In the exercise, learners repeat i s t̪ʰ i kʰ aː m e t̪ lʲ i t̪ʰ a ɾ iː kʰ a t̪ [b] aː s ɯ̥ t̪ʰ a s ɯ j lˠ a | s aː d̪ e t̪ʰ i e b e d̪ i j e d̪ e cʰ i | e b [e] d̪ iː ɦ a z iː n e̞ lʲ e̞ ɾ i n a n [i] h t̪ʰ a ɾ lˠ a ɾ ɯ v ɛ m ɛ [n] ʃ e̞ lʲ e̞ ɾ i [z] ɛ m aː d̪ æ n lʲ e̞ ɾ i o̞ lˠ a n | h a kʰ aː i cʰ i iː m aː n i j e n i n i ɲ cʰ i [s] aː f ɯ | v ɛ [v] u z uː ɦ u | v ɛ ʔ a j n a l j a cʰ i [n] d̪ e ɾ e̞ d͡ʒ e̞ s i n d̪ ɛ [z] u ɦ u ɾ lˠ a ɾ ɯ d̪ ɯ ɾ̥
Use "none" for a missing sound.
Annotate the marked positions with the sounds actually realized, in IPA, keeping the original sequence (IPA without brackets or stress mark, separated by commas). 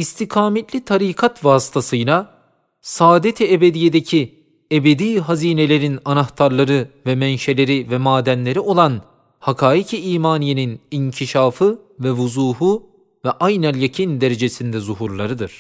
v, e, a, n, v, ʃ, v, n, z